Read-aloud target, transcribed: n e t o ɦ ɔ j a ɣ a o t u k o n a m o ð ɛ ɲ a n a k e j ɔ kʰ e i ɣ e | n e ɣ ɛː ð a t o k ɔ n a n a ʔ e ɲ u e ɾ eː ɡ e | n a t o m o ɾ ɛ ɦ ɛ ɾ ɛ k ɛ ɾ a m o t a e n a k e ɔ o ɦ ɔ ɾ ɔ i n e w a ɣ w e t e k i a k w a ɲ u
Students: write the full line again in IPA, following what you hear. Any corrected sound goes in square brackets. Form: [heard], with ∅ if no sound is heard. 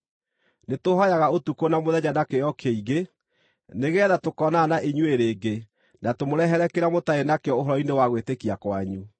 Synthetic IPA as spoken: n e t o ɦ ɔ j a ɣ a o t u k o n a m o ð ɛ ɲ a n a k e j ɔ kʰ e i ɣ e | n e ɣ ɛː ð a t o k ɔ n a n a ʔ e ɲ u e ɾ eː ɡ e | n a t o m o ɾ ɛ ɦ ɛ ɾ ɛ k [e] ɾ a m o t a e n a k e ɔ o ɦ ɔ ɾ ɔ i n e w a ɣ w e t e k i a k w a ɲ u